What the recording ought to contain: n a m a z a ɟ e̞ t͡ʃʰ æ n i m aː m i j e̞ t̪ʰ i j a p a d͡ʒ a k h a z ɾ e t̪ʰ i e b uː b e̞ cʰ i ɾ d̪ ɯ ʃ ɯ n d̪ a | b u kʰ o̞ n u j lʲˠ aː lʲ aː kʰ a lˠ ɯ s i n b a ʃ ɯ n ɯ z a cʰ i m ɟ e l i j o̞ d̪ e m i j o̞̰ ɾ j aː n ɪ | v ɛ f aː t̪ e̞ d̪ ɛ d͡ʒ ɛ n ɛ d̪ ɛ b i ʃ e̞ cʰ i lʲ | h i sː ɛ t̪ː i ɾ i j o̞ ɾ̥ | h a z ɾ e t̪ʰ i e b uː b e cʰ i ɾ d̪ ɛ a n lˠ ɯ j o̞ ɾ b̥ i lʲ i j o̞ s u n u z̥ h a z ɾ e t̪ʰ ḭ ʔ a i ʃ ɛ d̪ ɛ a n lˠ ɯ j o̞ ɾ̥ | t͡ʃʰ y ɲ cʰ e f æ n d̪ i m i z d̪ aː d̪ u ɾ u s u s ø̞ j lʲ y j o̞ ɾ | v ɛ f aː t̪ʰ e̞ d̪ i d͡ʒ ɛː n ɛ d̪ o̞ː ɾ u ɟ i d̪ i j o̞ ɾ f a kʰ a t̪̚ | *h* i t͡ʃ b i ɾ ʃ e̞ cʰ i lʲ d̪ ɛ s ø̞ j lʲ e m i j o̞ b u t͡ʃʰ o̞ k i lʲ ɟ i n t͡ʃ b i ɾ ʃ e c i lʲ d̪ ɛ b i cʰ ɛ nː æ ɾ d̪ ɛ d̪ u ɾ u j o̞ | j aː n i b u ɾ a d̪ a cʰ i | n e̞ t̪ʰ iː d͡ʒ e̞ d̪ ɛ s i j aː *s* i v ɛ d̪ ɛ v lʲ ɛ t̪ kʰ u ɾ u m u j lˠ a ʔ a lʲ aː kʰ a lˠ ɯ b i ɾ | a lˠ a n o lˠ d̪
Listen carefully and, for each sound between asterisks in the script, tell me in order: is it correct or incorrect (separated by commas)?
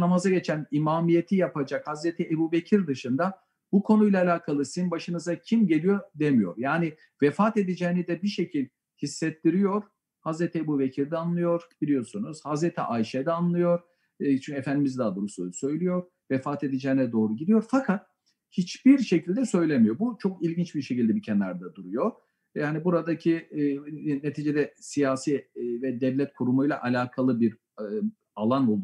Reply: correct, correct